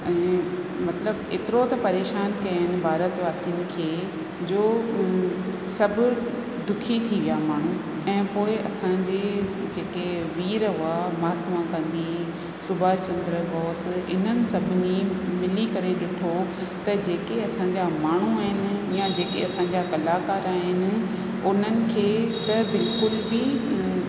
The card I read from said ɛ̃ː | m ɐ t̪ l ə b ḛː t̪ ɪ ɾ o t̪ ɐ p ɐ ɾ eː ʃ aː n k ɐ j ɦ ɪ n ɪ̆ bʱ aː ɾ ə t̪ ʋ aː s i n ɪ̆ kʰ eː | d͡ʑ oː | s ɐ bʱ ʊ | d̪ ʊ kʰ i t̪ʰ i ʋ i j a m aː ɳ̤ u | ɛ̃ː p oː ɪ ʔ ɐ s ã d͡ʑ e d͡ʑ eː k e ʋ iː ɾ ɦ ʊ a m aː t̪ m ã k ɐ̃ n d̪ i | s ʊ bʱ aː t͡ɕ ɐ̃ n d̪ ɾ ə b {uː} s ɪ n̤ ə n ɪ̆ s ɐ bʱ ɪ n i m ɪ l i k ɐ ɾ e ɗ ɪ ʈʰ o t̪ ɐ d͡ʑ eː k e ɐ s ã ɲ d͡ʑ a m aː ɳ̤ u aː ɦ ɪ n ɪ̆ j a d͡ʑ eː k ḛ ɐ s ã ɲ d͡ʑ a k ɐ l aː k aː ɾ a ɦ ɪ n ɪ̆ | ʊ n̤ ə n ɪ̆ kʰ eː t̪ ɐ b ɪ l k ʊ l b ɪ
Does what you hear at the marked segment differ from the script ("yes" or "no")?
yes